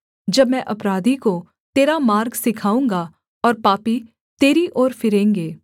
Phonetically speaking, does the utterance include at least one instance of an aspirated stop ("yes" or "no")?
yes